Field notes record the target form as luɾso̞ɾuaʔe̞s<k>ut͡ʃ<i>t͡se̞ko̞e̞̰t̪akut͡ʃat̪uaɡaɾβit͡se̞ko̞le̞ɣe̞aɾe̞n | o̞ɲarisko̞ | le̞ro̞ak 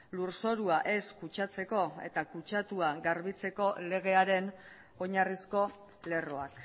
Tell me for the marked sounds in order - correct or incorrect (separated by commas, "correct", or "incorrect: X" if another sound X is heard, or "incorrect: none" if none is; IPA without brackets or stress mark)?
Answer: correct, incorrect: a